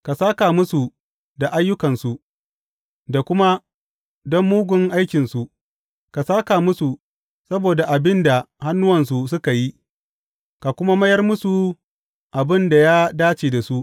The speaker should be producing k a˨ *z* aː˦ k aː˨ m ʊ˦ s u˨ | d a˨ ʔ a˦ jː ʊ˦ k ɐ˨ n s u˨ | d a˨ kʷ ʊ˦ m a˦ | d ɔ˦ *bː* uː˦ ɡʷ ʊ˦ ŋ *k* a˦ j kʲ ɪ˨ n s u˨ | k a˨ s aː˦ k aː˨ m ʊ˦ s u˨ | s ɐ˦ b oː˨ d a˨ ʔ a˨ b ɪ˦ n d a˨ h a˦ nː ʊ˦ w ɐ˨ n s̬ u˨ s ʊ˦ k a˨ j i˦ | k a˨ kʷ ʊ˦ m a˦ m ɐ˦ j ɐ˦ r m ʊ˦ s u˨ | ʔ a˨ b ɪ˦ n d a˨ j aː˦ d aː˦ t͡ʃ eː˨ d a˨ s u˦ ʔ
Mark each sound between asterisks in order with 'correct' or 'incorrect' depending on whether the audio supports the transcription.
incorrect: s, incorrect: mː, incorrect: ʔ

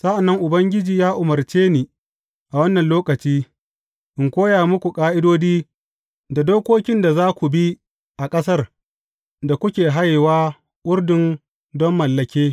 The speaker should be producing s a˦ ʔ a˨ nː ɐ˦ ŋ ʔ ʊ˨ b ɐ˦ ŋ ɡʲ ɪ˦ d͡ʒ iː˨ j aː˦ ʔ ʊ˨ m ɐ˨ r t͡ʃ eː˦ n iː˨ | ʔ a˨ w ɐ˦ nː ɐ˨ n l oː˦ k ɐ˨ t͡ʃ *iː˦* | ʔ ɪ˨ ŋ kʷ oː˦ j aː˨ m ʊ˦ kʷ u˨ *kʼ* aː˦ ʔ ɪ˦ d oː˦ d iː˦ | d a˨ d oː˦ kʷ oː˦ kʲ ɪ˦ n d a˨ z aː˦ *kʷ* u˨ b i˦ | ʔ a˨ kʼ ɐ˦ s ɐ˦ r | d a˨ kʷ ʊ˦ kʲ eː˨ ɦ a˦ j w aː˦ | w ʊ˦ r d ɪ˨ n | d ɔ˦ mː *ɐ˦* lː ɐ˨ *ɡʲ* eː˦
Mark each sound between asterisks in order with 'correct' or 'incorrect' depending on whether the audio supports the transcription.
correct, correct, correct, incorrect: ɐ˨, incorrect: kʲ

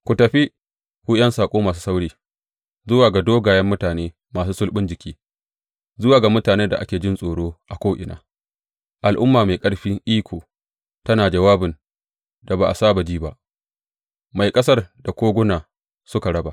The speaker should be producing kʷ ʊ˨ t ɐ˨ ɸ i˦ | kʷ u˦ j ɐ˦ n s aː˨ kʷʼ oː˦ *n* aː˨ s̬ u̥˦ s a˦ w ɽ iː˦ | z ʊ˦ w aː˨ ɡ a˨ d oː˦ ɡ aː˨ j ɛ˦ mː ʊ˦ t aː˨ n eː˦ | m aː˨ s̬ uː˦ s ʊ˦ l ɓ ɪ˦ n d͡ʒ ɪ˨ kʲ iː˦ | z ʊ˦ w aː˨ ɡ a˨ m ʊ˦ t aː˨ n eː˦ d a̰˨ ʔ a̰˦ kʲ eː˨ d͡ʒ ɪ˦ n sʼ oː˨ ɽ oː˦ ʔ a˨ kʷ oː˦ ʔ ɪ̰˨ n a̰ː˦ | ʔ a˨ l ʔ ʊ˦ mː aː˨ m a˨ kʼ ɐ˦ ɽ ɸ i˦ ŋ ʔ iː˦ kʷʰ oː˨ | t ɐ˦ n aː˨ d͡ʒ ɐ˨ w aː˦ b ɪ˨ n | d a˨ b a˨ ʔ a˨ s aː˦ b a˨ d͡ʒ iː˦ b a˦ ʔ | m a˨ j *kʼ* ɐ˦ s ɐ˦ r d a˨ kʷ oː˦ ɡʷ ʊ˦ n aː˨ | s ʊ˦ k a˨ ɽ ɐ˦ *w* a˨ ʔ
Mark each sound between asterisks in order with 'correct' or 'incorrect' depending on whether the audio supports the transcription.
incorrect: m, correct, incorrect: b

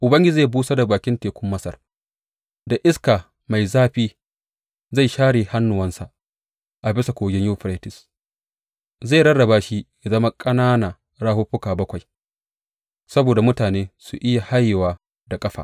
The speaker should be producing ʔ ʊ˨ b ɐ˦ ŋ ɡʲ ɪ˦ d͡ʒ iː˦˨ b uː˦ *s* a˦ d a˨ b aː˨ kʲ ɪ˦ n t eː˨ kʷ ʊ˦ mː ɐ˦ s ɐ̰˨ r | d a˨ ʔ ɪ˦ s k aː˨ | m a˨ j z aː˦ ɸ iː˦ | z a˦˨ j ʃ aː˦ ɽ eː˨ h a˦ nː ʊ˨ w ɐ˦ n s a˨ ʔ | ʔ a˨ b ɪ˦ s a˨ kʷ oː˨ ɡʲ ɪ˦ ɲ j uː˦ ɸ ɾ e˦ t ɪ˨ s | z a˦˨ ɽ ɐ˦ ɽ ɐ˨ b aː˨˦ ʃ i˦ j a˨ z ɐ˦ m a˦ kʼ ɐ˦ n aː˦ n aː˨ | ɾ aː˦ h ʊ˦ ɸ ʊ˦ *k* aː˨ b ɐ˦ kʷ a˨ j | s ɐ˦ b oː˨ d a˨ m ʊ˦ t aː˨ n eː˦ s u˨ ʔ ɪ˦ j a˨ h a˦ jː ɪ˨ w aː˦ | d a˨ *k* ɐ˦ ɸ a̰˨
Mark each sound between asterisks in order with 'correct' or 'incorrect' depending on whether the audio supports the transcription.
correct, correct, incorrect: kʼ

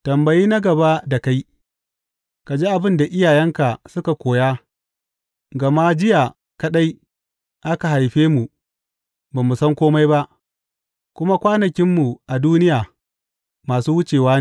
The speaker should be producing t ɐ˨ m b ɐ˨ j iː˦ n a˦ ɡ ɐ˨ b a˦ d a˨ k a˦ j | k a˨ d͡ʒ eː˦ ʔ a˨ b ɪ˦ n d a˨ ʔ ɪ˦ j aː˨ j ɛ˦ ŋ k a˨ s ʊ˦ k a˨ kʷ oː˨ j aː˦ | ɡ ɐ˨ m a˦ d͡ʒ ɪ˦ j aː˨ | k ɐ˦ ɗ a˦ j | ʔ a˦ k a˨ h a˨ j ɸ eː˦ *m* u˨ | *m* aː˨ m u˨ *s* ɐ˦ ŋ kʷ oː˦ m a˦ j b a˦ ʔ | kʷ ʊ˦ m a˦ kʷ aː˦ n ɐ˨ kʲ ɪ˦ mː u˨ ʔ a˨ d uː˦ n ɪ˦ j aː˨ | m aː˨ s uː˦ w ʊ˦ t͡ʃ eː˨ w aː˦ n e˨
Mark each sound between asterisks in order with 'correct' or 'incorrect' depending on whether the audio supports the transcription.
correct, incorrect: b, correct

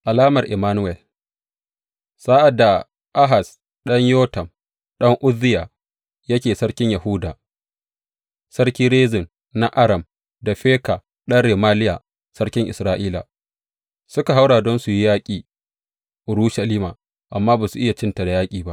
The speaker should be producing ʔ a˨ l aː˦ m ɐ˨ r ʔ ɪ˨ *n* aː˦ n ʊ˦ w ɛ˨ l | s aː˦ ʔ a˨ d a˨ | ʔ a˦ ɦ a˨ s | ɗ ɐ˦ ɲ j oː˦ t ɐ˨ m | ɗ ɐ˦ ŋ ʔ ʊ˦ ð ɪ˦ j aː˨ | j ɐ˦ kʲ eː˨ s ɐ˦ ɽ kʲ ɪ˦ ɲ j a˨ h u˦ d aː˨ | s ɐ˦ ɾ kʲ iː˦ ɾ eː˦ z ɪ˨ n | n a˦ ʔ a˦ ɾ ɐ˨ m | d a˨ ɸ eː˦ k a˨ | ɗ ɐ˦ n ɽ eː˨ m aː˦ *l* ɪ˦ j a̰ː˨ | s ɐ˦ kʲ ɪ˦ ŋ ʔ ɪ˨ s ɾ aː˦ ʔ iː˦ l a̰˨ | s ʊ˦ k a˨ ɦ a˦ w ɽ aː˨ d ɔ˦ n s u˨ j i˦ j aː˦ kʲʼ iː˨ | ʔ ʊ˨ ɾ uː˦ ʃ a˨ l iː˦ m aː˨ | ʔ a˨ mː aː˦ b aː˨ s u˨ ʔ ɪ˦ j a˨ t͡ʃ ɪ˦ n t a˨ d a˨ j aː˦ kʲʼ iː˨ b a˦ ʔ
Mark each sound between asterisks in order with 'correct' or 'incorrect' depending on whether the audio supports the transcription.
incorrect: m, correct

